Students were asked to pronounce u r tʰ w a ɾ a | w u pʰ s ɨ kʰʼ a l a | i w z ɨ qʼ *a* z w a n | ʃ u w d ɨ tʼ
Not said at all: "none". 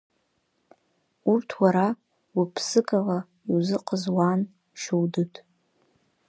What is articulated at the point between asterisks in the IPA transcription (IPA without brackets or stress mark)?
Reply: ə